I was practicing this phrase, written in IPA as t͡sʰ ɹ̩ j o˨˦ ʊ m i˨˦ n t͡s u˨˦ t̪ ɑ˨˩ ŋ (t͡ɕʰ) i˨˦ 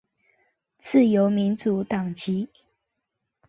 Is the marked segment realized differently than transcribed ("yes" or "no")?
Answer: yes